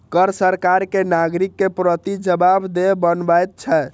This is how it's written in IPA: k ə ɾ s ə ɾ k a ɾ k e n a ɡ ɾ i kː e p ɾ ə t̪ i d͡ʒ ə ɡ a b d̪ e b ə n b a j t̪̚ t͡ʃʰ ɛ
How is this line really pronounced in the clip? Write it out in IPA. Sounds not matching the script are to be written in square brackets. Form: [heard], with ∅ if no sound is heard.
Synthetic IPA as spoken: k ə ɾ s ə ɾ k a ɾ k e n a ɡ ɾ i kː e p ɾ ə t̪ i d͡ʒ ə [b] a b d̪ e b ə n b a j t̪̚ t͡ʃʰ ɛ